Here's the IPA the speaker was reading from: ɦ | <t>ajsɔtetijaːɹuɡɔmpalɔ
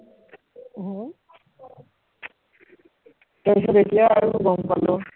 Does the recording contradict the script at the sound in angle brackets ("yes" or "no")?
no